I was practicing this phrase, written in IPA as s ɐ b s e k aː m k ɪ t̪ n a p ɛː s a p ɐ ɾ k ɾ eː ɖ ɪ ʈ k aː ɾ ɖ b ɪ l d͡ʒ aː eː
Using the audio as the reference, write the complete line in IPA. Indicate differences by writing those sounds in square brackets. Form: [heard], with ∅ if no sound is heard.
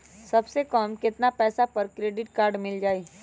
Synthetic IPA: s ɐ b s e k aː m k ɪ t̪ n a p ɛː s a p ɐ ɾ k ɾ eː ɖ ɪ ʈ k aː ɾ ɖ [m] ɪ l d͡ʒ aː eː

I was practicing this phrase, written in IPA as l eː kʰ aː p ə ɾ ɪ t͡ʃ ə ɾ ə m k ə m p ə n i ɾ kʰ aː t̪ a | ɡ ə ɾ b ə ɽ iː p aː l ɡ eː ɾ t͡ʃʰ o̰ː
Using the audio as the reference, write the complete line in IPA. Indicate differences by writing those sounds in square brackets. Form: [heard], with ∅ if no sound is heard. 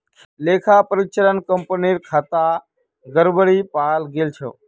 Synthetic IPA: l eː kʰ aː p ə ɾ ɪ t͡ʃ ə ɾ ə [n] k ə m p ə n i ɾ kʰ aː t̪ a | ɡ ə ɾ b ə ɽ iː p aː l ɡ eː [l] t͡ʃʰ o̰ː

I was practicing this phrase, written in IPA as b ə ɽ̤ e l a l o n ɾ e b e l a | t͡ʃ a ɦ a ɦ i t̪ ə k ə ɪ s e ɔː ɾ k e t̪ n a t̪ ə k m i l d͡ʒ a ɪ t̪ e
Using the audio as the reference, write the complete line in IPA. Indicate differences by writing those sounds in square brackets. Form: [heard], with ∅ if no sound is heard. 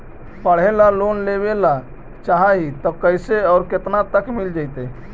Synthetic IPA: [p] ə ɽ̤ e l a l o n [l] e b e l a | t͡ʃ a ɦ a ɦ i t̪ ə k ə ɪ s e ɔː ɾ k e t̪ n a t̪ ə k m i l d͡ʒ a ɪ t̪ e

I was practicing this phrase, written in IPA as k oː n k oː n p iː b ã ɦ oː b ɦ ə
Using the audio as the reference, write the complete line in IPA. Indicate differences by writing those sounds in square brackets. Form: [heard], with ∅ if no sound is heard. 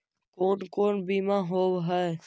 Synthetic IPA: k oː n k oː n [b] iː [m] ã ɦ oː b ɦ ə

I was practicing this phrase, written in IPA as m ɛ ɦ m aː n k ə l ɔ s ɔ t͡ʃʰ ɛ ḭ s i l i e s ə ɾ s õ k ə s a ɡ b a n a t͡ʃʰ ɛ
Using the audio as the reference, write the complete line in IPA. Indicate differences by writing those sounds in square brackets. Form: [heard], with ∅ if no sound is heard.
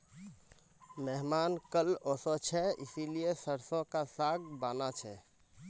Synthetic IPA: m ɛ ɦ m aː n k ə l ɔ s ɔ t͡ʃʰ ɛ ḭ s i l i e s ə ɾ s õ k [a] s a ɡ b a n a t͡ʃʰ ɛ

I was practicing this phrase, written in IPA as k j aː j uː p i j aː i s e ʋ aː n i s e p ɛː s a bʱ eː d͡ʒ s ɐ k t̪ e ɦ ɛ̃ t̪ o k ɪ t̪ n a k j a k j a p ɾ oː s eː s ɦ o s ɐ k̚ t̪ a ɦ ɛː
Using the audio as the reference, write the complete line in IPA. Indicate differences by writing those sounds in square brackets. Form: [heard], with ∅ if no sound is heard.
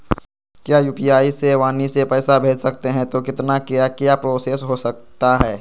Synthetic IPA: k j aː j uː p i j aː i s e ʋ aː n i s e p ɛː s a bʱ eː d͡ʒ s ɐ k t̪ e ɦ ɛ̃ t̪ o k ɪ t̪ n a k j a k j a p ɾ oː s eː s ɦ o s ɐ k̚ t̪ a ɦ ɛː

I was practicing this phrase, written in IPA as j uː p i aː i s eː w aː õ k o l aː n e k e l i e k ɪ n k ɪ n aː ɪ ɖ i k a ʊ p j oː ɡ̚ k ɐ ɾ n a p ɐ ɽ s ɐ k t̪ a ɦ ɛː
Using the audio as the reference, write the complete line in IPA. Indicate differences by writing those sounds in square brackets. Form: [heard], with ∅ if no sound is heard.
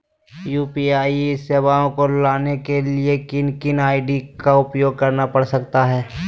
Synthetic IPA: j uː p i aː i s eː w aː õ k o l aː n e k e l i e k ɪ n k ɪ n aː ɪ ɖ i k a ʊ p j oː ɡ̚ k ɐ ɾ n a p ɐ ɽ s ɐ k t̪ a ɦ ɛː

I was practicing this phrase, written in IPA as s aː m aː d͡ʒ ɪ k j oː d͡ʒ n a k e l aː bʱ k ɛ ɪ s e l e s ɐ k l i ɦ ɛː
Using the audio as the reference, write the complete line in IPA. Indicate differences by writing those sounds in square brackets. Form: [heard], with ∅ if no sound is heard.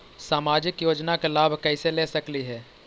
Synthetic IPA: s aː m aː d͡ʒ ɪ k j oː d͡ʒ n a k e l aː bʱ k ɛ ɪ s e l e s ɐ k l i ɦ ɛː

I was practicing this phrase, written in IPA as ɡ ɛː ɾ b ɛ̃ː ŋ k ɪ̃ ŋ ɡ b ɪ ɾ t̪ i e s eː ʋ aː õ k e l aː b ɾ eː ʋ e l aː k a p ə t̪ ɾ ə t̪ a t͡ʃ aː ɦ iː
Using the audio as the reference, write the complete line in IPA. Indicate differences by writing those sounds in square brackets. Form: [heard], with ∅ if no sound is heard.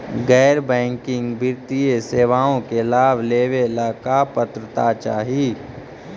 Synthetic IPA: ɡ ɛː ɾ b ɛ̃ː ŋ k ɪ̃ ŋ ɡ b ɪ ɾ t̪ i e s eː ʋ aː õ k e l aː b [l] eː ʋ e l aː k a p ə t̪ ɾ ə t̪ a t͡ʃ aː ɦ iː

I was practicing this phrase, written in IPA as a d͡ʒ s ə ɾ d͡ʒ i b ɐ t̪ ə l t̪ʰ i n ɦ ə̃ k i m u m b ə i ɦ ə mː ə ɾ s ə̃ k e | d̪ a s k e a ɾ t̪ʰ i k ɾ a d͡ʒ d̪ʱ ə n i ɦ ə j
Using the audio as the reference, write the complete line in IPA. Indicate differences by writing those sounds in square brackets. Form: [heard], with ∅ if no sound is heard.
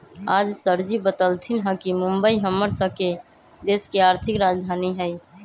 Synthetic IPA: a d͡ʒ s ə ɾ d͡ʒ i b [ə] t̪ ə l t̪ʰ i n ɦ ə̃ k i m u m b ə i ɦ ə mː ə ɾ s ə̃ k e | d̪ [e] s k e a ɾ t̪ʰ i k ɾ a d͡ʒ d̪ʱ [a] n i ɦ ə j

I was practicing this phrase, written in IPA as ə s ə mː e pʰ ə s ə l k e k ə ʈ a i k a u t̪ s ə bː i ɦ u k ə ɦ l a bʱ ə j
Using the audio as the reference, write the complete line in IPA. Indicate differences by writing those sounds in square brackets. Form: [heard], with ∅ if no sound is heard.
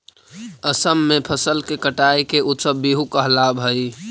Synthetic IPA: ə s ə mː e pʰ ə s ə l k e k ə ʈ a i k [e] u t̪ s ə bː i ɦ u k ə ɦ l a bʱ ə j

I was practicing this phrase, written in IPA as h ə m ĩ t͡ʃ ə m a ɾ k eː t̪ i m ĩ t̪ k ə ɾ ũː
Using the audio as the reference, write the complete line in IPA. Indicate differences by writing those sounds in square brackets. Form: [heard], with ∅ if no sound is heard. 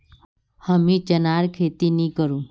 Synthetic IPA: h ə m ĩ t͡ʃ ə [n] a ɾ [kʰ] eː t̪ i [n] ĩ [∅] k ə ɾ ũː

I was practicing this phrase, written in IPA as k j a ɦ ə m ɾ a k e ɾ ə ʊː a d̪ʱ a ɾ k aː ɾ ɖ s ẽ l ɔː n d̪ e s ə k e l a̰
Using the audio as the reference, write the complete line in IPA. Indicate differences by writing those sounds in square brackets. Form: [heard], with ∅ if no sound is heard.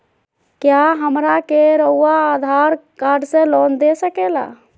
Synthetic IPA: k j a ɦ ə m ɾ a k e ɾ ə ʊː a d̪ʱ a ɾ k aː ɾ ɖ s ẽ l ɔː n d̪ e s ə k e l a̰

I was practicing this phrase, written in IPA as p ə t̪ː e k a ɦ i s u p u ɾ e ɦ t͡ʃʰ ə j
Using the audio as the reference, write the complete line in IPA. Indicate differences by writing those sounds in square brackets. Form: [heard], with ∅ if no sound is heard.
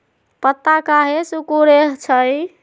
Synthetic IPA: p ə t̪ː [a] k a ɦ [e] s u [k] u ɾ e ɦ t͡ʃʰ ə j

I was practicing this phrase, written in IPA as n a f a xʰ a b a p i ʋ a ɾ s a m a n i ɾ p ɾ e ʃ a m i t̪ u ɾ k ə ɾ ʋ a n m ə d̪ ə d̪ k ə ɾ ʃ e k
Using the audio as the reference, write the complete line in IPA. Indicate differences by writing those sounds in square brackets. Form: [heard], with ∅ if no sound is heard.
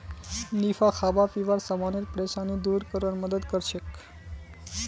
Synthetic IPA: n [i] f a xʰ a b a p i ʋ a ɾ s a m a n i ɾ p ɾ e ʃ a [n] i [d̪] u ɾ k ə ɾ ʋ a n m ə d̪ ə d̪ k ə ɾ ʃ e k

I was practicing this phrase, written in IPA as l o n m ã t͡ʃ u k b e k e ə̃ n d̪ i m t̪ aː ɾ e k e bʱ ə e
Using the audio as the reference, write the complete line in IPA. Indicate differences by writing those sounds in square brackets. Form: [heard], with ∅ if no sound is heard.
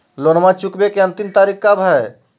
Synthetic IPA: l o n m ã t͡ʃ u k b e k e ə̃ n [t̪] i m t̪ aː ɾ [i] k [a] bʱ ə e

